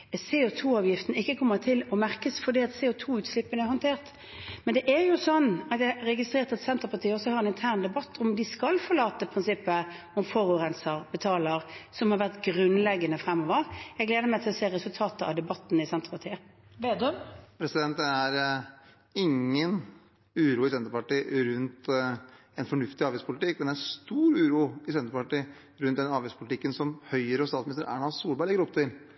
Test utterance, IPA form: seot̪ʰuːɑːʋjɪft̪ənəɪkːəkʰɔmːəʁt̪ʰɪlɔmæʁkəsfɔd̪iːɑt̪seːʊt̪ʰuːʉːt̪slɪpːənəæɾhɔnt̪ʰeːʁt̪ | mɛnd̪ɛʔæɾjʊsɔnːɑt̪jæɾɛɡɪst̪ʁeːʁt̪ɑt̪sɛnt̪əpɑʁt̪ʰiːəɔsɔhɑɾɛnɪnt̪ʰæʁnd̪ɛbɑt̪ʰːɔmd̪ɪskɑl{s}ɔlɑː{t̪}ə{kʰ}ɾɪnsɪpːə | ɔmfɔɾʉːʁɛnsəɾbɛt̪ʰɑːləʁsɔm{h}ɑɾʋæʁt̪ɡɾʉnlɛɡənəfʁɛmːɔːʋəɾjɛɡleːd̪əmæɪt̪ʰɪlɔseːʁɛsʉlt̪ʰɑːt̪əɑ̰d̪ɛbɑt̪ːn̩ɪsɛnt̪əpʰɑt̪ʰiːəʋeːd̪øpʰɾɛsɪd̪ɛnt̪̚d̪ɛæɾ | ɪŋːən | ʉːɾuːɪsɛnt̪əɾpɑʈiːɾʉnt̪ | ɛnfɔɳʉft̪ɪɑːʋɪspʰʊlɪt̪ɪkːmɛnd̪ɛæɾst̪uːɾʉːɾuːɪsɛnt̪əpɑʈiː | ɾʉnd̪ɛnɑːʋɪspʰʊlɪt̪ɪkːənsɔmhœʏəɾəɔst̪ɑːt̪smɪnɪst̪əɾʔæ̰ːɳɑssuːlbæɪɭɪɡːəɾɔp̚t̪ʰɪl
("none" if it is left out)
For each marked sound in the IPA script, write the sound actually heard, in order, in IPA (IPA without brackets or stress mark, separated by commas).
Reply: f, t̪, pʰ, h